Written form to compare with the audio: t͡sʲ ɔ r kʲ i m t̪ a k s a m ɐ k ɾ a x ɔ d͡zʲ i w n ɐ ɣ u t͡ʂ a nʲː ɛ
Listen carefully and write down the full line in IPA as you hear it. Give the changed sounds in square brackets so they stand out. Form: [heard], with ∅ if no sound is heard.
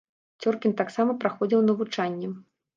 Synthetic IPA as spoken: t͡sʲ ɔ r kʲ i [n] t̪ a k s a m ɐ [p] ɾ a x ɔ d͡zʲ i w n ɐ [v] u t͡ʂ a nʲː ɛ